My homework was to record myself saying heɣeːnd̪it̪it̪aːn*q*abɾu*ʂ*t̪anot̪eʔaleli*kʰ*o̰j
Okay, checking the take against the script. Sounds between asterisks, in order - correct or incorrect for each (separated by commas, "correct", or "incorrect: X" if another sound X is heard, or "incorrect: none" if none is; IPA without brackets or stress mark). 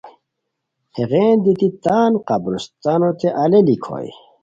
correct, incorrect: s, correct